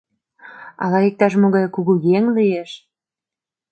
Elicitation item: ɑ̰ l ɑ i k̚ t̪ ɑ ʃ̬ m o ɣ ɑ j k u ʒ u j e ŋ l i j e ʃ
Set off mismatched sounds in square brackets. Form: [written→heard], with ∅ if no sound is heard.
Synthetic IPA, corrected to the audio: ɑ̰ l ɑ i k̚ t̪ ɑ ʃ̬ m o ɣ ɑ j k u [ʒ→ɣ] u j e ŋ l i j e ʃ